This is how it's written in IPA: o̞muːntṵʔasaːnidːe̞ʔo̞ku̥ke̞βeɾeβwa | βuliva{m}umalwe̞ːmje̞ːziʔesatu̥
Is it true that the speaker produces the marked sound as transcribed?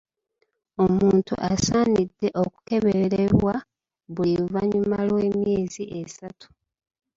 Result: no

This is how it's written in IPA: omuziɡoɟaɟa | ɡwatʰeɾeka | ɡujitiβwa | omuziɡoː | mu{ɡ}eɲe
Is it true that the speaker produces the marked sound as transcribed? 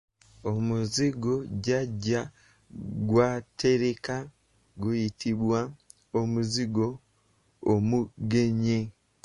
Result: yes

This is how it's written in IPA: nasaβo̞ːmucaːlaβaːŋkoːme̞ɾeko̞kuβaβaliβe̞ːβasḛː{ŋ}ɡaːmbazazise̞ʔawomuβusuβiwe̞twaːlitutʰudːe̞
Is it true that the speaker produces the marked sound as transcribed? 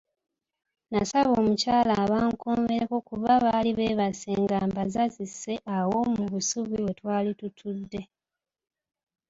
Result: yes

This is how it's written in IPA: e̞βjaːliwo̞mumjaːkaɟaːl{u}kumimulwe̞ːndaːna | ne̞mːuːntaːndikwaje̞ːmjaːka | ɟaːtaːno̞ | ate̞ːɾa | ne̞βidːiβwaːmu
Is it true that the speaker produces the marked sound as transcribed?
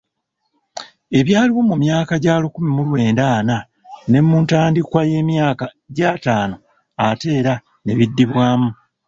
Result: yes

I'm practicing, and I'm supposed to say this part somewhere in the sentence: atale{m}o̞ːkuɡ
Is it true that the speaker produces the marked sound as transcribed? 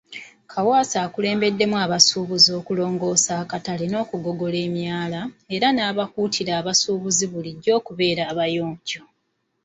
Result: no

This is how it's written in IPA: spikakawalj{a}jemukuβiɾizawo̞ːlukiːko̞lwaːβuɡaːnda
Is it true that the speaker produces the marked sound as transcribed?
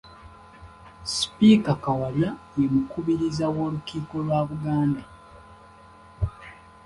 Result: yes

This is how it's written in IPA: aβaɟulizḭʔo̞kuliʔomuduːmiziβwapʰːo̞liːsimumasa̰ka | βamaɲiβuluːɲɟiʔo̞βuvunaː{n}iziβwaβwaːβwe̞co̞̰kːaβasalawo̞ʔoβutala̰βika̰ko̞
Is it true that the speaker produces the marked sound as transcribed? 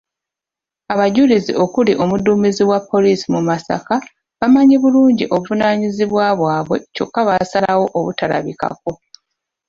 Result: no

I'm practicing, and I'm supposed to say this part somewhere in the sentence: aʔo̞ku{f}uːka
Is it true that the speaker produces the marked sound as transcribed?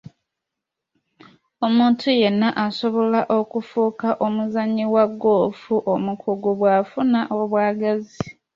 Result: yes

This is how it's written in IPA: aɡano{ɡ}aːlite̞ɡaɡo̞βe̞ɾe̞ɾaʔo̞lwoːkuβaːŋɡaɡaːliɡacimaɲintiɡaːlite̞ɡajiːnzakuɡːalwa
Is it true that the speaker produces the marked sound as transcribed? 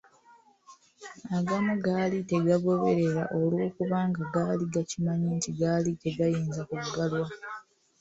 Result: yes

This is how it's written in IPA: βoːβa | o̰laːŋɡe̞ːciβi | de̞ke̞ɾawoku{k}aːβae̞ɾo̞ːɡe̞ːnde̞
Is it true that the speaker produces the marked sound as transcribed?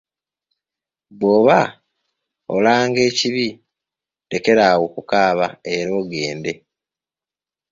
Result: yes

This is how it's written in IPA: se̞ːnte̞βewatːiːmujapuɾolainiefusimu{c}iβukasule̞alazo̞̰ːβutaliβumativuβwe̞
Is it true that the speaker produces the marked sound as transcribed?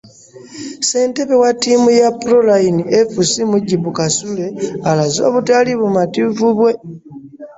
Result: no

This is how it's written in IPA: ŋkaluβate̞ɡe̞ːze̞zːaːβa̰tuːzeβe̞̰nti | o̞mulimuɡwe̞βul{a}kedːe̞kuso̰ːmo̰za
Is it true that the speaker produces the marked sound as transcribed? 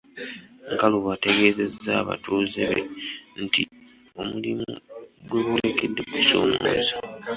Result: no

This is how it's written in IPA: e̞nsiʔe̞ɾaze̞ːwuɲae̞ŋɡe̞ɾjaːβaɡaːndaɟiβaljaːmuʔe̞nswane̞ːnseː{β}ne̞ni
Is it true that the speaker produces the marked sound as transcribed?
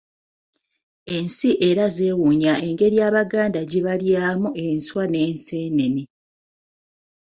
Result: no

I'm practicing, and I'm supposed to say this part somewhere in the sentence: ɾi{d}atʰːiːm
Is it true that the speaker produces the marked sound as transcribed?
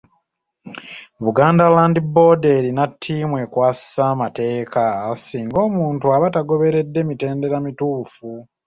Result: no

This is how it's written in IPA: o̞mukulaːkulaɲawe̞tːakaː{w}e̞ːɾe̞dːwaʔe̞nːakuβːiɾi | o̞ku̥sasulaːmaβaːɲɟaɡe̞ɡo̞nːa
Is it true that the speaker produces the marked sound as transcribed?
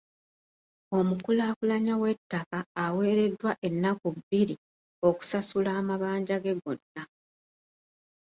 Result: yes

